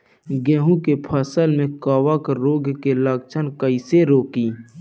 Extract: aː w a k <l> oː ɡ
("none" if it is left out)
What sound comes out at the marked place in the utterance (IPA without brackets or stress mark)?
ɾ